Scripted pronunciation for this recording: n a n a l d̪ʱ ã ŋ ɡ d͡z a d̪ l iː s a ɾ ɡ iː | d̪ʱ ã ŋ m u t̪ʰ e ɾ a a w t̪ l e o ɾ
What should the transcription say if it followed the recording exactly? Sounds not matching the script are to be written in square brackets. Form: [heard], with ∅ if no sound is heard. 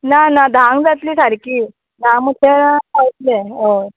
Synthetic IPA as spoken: n a n a [∅] d̪ʱ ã ŋ ɡ d͡z a [t̪] l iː s a ɾ [k] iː | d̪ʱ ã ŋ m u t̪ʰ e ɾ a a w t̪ l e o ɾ